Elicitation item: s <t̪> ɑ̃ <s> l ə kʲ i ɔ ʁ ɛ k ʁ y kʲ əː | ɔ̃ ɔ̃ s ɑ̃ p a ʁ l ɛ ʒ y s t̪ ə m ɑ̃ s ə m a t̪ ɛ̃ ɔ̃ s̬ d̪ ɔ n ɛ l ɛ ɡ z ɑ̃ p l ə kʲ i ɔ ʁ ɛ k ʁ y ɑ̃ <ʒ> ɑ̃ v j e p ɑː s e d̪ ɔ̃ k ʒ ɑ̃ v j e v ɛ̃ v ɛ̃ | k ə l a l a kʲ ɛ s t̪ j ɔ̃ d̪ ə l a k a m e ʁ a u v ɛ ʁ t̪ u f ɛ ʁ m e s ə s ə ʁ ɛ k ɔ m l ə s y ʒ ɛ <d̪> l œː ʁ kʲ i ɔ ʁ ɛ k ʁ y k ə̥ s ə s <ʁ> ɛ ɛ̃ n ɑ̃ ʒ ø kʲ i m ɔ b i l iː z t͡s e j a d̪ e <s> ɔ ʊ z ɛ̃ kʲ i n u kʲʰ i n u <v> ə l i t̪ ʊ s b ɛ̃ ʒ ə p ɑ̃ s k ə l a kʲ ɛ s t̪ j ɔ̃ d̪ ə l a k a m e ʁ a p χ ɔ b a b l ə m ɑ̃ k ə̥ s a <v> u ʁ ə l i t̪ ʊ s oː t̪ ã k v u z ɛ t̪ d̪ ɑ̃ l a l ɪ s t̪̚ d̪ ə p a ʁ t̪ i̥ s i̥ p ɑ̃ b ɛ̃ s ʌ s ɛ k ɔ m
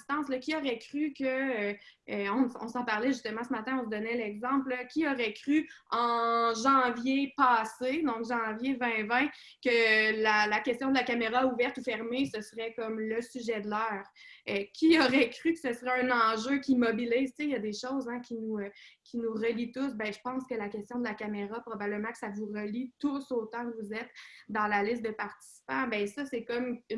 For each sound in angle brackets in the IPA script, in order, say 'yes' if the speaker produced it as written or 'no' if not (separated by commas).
yes, yes, yes, yes, yes, no, no, yes